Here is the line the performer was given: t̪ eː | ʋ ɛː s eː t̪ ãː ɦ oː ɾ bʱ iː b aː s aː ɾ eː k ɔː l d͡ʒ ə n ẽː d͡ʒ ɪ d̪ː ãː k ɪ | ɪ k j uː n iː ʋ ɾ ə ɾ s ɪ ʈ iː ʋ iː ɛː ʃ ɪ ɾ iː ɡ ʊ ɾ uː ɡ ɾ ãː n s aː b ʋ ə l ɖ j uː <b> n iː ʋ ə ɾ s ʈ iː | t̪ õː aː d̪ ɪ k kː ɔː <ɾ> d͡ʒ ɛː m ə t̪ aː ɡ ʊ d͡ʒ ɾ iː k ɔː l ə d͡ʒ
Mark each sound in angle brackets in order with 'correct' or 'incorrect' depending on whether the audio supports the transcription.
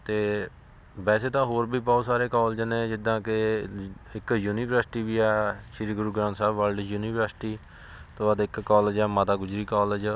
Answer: incorrect: none, incorrect: l

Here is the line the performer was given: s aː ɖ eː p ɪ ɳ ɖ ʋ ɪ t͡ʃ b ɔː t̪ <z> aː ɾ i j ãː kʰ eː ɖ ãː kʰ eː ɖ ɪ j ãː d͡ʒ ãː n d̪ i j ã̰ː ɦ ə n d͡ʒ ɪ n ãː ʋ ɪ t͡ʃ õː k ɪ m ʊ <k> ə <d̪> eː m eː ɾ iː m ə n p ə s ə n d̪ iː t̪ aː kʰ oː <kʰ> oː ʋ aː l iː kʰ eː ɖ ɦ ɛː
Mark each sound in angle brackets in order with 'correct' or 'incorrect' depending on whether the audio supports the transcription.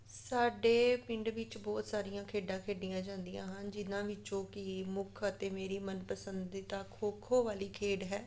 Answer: incorrect: s, incorrect: kʰ, incorrect: t̪, correct

